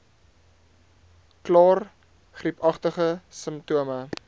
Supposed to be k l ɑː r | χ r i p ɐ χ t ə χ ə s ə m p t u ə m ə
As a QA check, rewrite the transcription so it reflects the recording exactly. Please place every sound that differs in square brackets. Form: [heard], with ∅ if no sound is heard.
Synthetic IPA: k l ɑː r | χ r i p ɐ χ t ə χ ə s ə m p t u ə m ə